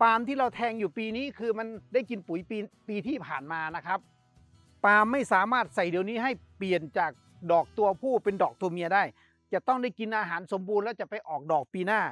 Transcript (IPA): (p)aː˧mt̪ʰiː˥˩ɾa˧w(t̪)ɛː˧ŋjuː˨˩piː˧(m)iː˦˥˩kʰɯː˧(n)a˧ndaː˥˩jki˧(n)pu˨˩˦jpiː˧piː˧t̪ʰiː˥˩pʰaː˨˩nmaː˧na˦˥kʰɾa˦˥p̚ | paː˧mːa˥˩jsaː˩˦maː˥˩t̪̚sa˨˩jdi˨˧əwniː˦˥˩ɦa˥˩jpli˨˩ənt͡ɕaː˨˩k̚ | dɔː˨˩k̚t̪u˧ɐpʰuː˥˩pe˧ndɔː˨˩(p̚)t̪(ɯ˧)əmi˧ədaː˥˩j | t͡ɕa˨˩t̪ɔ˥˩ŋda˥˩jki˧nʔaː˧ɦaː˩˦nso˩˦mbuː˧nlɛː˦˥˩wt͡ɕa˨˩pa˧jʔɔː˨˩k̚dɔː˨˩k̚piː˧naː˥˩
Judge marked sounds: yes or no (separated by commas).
yes, no, no, no, yes, no, no